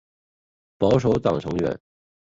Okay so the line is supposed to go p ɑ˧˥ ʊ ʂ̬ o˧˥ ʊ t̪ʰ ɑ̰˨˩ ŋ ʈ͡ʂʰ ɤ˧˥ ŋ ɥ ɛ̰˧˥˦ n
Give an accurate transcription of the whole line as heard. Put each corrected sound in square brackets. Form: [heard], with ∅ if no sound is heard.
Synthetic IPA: p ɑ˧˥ ʊ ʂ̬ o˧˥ ʊ [t̪] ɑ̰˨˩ ŋ ʈ͡ʂʰ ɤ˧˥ ŋ ɥ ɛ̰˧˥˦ n